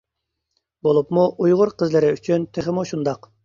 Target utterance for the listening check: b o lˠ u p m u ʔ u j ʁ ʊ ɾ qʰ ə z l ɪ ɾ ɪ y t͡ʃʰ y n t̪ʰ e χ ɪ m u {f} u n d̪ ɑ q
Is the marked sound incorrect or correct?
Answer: incorrect: ʃ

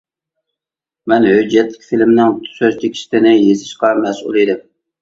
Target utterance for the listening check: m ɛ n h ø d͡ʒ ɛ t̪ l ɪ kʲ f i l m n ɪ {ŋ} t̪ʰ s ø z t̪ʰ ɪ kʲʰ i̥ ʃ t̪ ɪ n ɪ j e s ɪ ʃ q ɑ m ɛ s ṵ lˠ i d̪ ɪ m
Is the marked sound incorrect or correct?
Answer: correct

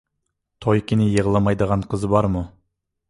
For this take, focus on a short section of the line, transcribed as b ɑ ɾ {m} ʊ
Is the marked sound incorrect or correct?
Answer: correct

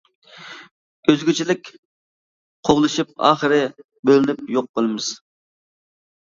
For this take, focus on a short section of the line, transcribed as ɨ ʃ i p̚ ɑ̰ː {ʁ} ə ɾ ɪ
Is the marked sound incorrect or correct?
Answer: incorrect: χ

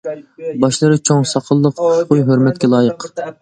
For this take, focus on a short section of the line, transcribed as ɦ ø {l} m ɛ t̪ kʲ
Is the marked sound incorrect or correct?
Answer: incorrect: ɾ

